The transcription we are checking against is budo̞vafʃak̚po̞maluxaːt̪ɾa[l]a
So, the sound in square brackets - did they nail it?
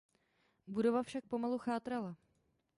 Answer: yes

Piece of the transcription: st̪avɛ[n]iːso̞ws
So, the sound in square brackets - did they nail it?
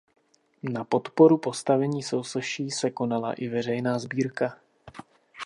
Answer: no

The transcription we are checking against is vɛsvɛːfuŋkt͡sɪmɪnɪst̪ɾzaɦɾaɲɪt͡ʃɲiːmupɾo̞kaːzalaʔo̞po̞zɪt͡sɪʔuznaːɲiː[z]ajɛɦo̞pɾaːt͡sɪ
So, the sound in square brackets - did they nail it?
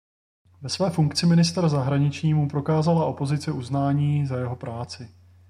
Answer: yes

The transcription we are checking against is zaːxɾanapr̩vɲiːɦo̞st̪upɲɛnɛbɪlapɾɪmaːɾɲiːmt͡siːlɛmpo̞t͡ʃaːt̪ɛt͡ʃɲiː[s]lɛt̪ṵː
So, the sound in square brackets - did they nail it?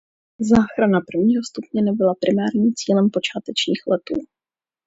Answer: no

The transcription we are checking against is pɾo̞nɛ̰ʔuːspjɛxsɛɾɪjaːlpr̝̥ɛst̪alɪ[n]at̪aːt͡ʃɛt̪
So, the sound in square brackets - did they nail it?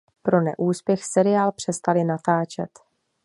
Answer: yes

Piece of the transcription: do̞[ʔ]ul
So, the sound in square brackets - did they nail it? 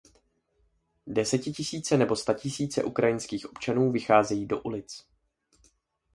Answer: yes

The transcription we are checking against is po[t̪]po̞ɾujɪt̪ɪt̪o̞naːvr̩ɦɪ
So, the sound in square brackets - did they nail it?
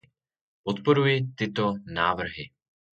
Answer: yes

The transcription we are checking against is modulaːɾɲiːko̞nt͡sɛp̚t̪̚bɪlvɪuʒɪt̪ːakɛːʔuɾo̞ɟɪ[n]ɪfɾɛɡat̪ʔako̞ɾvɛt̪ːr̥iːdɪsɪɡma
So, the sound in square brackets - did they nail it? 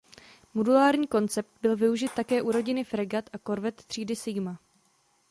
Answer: yes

